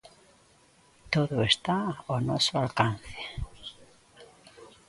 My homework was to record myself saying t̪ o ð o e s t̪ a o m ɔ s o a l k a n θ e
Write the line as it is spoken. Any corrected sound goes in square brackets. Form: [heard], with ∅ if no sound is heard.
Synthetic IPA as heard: t̪ o ð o e s t̪ a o [n] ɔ s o a l k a n θ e

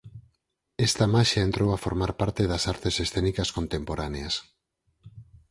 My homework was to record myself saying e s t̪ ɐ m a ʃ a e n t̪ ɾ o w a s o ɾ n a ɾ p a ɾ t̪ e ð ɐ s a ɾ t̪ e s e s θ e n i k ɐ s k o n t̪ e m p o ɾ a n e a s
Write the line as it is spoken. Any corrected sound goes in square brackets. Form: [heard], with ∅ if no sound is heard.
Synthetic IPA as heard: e s t̪ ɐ m a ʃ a e n t̪ ɾ o w a [f] o ɾ [m] a ɾ p a ɾ t̪ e ð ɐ s a ɾ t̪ e s e s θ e n i k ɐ s k o n t̪ e m p o ɾ a n e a s

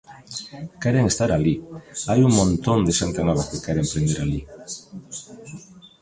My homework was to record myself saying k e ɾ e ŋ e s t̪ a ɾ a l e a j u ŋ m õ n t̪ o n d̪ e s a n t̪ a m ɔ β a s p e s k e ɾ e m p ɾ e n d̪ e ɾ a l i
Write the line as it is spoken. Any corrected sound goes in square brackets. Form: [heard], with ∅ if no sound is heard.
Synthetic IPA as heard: k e ɾ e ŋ e s t̪ a ɾ a l [i] a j u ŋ m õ n t̪ o n d̪ e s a n t̪ a [n] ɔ β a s [k] e [∅] k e ɾ e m p ɾ e n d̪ e ɾ a l i

